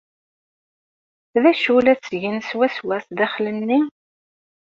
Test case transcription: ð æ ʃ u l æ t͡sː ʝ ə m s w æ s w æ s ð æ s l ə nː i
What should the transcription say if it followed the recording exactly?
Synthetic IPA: ð æ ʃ u l æ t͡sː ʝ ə n s w æ s w æ s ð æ χ l ə nː i